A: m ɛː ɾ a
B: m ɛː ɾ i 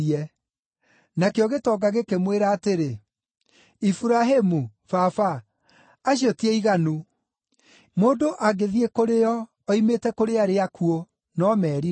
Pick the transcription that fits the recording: B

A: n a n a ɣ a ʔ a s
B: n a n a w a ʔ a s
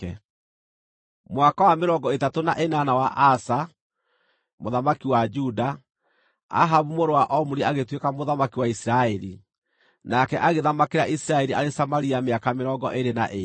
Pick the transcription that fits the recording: B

